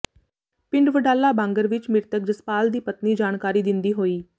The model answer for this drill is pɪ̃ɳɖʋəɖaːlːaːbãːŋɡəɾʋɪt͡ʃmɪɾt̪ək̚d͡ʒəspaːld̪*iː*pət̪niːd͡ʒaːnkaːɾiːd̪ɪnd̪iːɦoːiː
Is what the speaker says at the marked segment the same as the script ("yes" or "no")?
yes